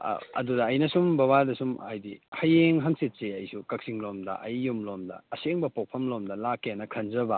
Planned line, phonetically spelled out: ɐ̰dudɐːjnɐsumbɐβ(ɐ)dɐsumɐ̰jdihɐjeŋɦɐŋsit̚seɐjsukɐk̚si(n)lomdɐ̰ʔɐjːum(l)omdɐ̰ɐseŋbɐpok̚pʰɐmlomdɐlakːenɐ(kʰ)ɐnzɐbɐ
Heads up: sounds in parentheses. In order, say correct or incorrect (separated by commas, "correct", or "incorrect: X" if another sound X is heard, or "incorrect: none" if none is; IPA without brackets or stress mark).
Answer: incorrect: a, incorrect: ŋ, correct, correct